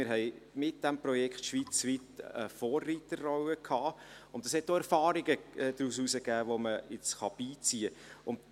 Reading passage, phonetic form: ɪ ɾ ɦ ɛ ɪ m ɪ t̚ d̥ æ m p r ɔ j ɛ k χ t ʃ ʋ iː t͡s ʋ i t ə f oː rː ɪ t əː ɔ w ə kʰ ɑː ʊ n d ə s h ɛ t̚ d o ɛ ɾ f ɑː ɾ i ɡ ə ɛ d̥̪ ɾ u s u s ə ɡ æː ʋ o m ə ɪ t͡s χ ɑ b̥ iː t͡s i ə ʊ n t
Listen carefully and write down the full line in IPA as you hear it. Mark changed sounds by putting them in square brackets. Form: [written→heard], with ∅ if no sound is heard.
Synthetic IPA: ɪ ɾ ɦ ɛ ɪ m ɪ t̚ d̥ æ m p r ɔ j ɛ k χ t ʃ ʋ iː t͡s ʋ i t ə f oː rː [ɪ→i] t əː ɔ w ə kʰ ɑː ʊ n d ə s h ɛ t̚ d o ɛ ɾ f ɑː ɾ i ɡ ə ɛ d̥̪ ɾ u s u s ə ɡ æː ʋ o m ə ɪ t͡s χ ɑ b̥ iː t͡s i ə ʊ n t

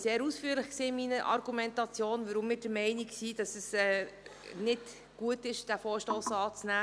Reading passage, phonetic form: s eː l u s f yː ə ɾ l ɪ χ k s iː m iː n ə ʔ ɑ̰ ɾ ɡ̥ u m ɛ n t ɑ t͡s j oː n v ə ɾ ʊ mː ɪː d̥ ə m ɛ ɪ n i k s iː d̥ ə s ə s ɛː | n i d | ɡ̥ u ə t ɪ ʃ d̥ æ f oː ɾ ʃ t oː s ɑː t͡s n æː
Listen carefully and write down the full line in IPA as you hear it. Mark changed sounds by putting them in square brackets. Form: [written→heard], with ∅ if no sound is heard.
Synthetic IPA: s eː [l→ɾ] u s f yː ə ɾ l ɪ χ k s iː m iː n ə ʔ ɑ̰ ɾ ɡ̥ u m ɛ n t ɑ t͡s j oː n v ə ɾ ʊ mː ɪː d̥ ə m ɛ ɪ n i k s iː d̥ [ə→ɑ] s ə s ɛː | n [i→ɪ] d | ɡ̥ u ə t ɪ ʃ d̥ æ f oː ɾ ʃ t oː s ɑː t͡s n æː

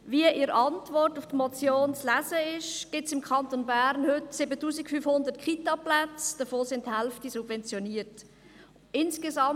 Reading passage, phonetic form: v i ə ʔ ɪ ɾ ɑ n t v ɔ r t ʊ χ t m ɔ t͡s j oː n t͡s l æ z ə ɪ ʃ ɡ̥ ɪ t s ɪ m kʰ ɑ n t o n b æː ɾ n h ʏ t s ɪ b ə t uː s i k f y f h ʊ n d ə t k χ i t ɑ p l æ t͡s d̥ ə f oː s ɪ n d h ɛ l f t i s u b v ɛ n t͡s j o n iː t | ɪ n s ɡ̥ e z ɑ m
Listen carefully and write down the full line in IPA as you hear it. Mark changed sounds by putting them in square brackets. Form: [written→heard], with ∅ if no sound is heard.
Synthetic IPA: v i ə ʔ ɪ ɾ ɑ n t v ɔ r t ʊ [χ→f] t m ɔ t͡s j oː n t͡s l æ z ə ɪ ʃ ɡ̥ ɪ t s ɪ m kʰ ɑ n t o n b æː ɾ n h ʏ t s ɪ b ə t uː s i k f y f h ʊ n d ə t k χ i t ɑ p l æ t͡s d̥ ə f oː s ɪ n [d→t] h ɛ l f t i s u b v ɛ n t͡s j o n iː t | ɪ n s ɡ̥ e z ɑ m

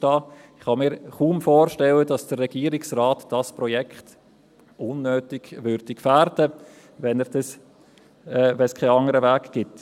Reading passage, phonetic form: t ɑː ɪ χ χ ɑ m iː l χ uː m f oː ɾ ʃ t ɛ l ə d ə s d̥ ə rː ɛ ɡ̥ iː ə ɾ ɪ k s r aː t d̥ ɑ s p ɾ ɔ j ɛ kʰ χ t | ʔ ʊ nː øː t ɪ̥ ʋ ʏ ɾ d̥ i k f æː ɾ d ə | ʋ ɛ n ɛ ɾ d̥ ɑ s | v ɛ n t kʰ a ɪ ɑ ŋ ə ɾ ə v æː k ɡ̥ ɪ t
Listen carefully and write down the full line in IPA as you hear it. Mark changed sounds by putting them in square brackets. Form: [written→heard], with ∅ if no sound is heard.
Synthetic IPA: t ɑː ɪ χ [χ→h] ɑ m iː [l→ɾ] χ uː m f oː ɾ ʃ t ɛ l ə d [ə→ɑ] s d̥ ə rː ɛ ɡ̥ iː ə ɾ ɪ k s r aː t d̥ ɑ s p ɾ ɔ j ɛ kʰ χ t | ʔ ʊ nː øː t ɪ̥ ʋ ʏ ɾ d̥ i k f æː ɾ d ə | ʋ ɛ n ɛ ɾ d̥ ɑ s | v ɛ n [t→s] kʰ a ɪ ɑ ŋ ə ɾ ə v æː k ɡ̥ ɪ t

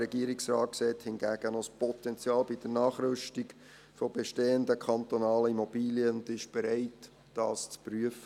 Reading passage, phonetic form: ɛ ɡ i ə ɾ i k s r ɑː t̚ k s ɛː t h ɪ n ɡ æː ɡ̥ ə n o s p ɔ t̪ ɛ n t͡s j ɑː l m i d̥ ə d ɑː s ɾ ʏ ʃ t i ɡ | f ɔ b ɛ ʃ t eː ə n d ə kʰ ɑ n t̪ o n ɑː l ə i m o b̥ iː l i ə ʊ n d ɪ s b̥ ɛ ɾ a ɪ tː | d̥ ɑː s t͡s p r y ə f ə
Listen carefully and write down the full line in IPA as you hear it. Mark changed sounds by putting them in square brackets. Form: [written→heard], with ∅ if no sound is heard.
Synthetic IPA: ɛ ɡ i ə ɾ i k s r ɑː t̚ k s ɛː t h ɪ n ɡ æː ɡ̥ ə n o s p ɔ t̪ ɛ n t͡s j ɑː l [m→b] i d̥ ə [d→n] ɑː [s→χ] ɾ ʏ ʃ t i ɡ | f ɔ b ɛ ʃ t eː ə n d ə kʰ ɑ n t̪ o n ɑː l ə i m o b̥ iː l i ə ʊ n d ɪ [s→ʃ] b̥ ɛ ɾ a ɪ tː | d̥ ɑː s t͡s p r y ə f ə

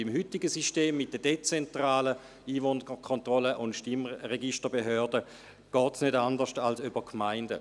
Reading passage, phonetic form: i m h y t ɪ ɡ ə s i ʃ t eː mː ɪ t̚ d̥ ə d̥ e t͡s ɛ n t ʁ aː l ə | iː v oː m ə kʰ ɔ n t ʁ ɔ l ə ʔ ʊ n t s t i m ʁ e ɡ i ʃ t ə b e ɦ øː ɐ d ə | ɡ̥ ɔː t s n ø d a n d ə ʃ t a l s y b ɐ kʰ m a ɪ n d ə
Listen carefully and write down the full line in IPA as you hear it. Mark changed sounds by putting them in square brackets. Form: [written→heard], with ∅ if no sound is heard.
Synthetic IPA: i m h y t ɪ ɡ ə s i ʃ t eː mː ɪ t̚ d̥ ə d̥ e t͡s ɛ n t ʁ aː l ə | iː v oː [m→n] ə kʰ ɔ n t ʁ ɔ l ə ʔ ʊ n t [s→ʃ] t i m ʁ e ɡ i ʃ t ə b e ɦ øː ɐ d ə | ɡ̥ ɔː t s n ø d a n d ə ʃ t a l s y b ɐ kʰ m a ɪ n d ə

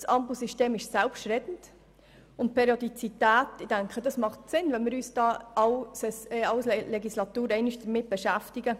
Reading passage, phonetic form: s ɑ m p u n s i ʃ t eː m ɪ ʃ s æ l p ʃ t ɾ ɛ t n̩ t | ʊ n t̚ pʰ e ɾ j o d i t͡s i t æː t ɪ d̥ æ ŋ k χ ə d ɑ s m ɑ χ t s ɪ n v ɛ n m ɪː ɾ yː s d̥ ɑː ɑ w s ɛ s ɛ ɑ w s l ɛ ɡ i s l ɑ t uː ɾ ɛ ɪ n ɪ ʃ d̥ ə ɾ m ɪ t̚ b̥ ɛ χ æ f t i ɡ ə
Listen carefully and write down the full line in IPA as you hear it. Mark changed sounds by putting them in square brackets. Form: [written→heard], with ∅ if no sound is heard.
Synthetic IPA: s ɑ m p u [n→∅] s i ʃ t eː m ɪ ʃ s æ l p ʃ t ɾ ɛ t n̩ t | ʊ n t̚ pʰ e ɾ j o d i t͡s i t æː t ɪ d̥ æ ŋ k χ ə d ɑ s m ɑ χ t s ɪ n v ɛ n m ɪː ɾ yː s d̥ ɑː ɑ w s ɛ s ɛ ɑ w s l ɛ ɡ i s l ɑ t uː ɾ ɛ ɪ n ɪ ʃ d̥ ə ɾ m ɪ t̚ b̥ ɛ [χ→ʃ] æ f t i ɡ ə

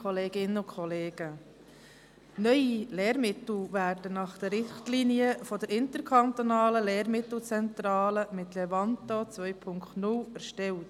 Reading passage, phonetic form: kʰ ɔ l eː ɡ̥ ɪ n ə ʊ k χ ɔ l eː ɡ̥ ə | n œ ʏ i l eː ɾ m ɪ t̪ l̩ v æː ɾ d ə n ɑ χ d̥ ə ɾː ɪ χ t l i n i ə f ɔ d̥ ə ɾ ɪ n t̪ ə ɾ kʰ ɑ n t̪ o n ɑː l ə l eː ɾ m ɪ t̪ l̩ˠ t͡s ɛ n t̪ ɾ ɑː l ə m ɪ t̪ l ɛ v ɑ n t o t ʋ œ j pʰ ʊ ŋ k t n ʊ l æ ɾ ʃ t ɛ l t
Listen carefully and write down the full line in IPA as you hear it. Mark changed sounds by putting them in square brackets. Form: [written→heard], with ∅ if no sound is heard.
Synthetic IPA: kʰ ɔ l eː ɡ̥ ɪ n ə ʊ k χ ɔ l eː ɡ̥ ə | n œ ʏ i l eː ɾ m ɪ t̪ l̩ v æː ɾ d ə n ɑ χ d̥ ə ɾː ɪ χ t l i n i ə f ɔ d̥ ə ɾ ɪ n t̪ ə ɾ kʰ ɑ n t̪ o n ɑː l ə l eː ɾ m ɪ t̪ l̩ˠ t͡s ɛ n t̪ ɾ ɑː l ə m ɪ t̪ l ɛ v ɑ n t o [t→t͡s] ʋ œ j pʰ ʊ ŋ k t n ʊ l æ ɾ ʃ t ɛ l t

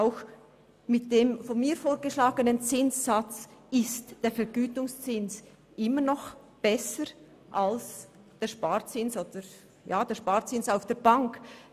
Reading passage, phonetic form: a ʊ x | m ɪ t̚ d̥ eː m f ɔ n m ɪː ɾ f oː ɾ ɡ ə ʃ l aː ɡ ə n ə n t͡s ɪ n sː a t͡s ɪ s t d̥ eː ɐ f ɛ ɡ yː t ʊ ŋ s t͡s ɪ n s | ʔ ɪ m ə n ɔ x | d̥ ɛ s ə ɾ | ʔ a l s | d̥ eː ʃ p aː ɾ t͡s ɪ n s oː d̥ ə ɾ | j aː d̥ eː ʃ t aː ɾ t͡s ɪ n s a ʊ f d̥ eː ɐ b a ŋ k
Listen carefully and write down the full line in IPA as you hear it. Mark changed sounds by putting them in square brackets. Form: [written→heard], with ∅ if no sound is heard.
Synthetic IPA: a ʊ x | m ɪ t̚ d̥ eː m f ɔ n m [ɪː→iː] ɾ f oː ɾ ɡ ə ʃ l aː ɡ ə n ə n t͡s ɪ n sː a t͡s ɪ s t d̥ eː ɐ f ɛ ɡ yː t ʊ ŋ s t͡s ɪ n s | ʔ ɪ m ə n ɔ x | [d̥→b̥] ɛ s ə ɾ | ʔ a l s | d̥ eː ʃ p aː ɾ t͡s ɪ n s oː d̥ ə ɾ | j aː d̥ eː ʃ [t→p] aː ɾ t͡s ɪ n s a ʊ f d̥ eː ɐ b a ŋ k

